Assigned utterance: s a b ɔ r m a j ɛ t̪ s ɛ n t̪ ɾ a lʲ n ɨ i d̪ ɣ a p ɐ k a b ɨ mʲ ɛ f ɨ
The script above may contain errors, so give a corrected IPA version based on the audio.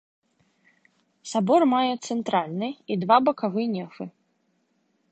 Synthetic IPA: s a b ɔ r m a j ɛ t̪ s ɛ n t̪ ɾ a lʲ n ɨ i d̪ v a b ɐ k a v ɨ nʲ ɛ f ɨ